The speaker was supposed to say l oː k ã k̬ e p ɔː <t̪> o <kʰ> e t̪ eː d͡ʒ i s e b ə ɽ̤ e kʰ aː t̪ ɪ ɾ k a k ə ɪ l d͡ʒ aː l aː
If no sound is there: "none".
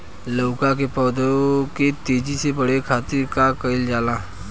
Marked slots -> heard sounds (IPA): d̪, k

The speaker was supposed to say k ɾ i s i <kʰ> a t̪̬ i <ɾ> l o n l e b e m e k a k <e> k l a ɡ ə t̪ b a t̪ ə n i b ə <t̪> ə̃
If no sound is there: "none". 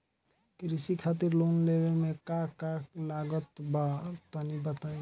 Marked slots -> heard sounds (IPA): kʰ, ɾ, a, t̪

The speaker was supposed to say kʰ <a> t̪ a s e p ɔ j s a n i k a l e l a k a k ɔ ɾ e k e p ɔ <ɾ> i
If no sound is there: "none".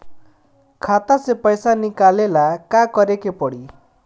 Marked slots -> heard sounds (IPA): a, ɽ

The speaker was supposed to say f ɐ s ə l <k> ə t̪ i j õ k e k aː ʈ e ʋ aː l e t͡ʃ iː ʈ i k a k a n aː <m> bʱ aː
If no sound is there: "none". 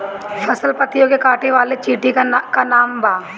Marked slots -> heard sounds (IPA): p, m

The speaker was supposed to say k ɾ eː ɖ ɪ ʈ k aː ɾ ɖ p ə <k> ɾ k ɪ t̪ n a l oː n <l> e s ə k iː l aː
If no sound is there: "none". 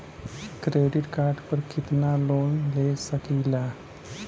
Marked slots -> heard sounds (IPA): none, l

